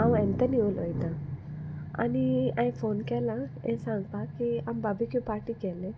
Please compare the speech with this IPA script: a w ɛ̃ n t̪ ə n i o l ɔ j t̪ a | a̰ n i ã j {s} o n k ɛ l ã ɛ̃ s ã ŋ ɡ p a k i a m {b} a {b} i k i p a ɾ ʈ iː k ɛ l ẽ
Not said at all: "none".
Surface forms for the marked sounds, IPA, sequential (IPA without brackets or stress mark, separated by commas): f, b, b